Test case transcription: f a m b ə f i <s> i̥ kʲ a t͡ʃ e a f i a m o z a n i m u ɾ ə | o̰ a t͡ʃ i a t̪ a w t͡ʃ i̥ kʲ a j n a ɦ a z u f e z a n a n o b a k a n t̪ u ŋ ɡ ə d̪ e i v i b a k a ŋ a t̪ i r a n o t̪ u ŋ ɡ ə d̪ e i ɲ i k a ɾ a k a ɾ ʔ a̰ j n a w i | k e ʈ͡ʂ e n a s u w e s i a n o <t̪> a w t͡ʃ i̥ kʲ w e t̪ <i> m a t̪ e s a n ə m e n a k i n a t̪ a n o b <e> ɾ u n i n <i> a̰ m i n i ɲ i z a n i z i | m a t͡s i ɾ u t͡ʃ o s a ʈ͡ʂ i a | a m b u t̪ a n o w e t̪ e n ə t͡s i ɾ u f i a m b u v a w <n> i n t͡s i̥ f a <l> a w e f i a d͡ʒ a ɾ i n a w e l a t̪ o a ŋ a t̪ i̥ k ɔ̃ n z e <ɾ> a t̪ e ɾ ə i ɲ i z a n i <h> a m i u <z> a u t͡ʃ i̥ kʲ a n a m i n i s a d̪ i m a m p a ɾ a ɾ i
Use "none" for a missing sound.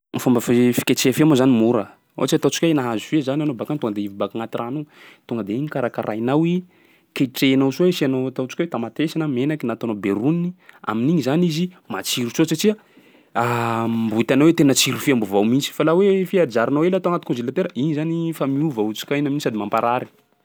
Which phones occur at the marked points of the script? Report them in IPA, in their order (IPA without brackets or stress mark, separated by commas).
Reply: f, t̪, a, e, i, m, l, l, f, v